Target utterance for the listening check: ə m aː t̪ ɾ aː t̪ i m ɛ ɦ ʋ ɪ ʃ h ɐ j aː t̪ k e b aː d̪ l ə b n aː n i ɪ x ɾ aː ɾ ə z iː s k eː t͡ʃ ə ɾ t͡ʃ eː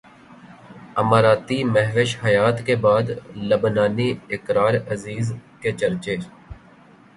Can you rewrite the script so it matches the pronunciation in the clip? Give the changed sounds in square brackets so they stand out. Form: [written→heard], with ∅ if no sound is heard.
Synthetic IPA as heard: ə m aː [t̪→∅] ɾ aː t̪ i m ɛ ɦ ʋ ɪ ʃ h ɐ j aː t̪ k e b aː d̪ l ə b n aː n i ɪ [x→k] ɾ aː ɾ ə z iː [s→z] k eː t͡ʃ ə ɾ t͡ʃ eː